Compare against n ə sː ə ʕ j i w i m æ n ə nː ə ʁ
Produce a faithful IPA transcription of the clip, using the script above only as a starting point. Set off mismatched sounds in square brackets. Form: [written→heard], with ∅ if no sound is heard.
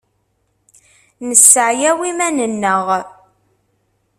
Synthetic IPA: n ə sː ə ʕ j [i→æ] w i m æ n ə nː ə ʁ